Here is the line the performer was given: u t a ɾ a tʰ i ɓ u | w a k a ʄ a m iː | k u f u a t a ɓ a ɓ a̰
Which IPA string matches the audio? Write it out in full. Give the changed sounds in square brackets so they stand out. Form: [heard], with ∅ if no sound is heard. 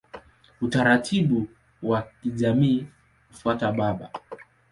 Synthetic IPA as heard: u t a ɾ a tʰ i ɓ u | w a k [i] ʄ a m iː | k u f u a t a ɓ a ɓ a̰